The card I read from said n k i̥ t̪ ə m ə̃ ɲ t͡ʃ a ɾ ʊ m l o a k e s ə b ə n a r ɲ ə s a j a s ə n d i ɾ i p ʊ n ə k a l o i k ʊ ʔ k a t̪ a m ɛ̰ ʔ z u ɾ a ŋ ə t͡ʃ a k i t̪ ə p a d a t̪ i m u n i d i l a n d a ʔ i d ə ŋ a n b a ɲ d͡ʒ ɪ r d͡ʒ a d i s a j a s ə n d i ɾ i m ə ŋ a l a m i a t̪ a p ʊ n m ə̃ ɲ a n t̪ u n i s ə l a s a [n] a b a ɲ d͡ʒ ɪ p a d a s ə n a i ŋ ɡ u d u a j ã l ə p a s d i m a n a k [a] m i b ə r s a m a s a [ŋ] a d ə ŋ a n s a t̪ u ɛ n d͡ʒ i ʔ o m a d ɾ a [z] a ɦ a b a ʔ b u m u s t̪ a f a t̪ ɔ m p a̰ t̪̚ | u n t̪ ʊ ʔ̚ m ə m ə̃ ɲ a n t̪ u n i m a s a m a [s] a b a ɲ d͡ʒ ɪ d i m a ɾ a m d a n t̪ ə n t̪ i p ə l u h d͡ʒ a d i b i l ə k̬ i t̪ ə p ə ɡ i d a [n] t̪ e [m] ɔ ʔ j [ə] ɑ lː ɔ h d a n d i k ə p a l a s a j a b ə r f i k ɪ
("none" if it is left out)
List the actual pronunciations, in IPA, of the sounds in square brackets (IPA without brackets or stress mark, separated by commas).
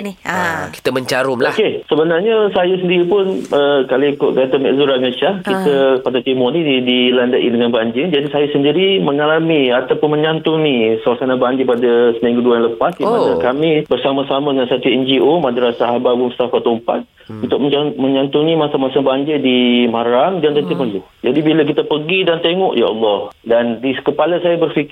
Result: n, a, m, s, s, n, ŋ, a